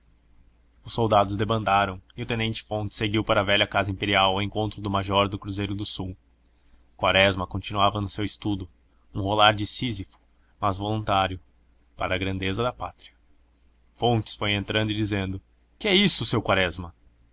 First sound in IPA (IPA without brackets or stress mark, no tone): ʊ